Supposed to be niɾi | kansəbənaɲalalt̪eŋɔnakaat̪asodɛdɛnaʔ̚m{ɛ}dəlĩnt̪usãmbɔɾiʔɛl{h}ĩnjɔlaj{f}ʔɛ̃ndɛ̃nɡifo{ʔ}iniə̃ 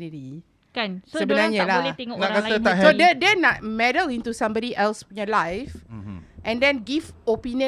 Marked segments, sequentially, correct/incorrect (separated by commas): correct, incorrect, correct, incorrect